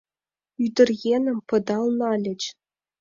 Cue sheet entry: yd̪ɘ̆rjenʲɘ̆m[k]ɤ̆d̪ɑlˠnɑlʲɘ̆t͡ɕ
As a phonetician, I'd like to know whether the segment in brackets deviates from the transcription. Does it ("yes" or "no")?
yes